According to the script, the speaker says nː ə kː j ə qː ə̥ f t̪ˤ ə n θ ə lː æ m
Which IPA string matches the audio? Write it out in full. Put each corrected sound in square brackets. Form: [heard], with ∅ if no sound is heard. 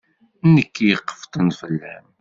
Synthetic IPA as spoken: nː ə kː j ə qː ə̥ f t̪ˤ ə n [f] ə lː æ m